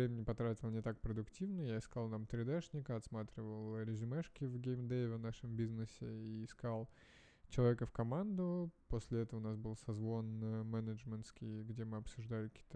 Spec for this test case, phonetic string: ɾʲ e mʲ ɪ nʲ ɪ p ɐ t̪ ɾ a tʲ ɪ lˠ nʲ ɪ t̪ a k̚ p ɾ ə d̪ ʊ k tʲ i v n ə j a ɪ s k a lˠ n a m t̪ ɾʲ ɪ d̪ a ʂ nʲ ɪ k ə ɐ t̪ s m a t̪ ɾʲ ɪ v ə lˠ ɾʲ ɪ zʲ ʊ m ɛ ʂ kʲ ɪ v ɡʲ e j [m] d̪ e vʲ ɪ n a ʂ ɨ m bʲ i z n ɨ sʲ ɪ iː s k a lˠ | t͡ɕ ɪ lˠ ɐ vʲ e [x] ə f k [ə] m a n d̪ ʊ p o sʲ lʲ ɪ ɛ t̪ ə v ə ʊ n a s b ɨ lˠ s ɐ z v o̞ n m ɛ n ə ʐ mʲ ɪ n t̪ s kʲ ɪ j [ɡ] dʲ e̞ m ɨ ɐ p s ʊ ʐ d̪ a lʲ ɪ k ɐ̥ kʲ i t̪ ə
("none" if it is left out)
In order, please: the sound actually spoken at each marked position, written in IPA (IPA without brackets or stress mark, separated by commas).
m, k, ɐ, ɡ